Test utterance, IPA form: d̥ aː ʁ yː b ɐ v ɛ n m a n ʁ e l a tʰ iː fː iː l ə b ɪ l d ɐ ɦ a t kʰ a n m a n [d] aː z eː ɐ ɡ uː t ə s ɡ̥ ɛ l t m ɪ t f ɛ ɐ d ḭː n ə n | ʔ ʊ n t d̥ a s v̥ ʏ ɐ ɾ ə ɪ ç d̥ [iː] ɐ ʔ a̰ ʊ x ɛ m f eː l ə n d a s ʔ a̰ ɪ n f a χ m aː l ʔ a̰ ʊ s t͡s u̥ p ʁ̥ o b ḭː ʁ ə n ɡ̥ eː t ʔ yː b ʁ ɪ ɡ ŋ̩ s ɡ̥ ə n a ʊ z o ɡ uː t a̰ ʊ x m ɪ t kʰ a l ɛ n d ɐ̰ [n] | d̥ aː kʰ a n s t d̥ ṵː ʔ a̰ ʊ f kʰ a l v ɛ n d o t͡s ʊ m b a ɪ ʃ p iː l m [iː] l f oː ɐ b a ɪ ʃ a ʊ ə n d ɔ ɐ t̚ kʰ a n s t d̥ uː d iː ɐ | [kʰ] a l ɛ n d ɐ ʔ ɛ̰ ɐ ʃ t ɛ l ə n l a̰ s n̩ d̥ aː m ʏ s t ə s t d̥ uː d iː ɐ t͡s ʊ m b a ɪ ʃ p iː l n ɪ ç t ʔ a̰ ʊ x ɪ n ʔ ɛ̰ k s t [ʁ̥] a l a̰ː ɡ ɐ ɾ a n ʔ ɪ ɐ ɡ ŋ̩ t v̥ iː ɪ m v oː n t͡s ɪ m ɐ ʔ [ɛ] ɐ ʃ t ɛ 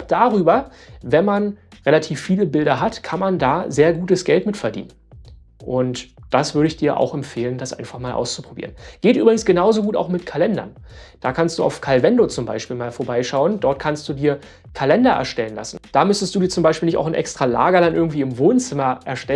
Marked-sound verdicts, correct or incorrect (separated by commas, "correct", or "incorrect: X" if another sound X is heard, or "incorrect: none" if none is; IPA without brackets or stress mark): correct, correct, correct, incorrect: aː, correct, correct, correct